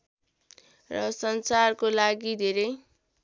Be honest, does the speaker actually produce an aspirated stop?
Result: no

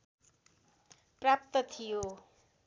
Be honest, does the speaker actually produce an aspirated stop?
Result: yes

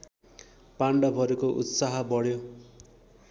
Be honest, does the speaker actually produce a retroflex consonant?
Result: yes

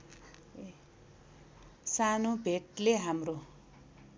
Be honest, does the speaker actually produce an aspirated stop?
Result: no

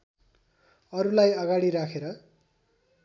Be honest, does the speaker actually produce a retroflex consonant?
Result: yes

